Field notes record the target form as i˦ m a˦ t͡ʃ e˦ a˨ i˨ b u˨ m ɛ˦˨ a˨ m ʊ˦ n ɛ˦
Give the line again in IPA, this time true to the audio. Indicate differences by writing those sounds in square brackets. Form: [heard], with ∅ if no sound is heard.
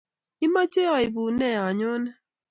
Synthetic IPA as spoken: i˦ m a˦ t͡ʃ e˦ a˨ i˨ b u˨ [n] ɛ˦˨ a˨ [ɲ] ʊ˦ n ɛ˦